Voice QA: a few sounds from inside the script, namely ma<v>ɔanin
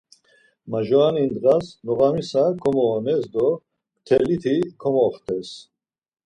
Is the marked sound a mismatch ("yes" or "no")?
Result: yes